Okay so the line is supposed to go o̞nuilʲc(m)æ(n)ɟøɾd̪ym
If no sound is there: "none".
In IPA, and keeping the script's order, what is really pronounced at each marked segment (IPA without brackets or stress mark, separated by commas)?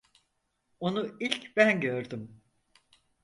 b, n